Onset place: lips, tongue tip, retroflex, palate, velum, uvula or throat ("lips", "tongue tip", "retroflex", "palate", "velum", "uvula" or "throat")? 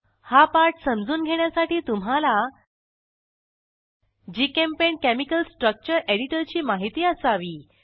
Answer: throat